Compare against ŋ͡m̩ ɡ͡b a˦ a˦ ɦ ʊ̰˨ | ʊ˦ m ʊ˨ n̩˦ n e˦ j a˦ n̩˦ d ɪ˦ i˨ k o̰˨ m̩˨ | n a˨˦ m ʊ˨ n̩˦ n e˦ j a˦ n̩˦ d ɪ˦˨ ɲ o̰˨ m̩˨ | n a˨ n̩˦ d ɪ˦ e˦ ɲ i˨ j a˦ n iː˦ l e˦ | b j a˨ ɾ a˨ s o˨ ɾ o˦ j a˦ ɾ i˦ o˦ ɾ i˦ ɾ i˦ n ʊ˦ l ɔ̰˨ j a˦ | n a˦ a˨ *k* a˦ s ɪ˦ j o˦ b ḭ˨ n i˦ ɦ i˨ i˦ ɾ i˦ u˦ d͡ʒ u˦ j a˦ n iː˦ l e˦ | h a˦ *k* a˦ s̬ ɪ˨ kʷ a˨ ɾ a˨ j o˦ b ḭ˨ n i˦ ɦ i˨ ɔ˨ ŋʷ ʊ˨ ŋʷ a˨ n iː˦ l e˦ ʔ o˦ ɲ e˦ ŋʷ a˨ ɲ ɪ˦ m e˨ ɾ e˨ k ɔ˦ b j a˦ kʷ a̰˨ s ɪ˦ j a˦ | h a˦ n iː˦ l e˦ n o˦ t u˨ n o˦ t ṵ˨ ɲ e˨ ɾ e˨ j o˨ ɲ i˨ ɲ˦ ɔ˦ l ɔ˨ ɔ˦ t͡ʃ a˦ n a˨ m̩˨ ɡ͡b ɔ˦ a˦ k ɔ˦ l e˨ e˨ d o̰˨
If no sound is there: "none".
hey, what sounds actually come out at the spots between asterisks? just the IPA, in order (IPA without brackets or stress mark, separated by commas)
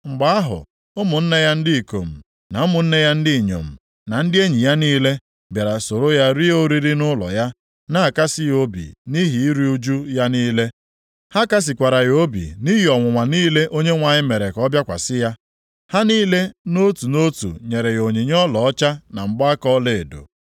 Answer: k, k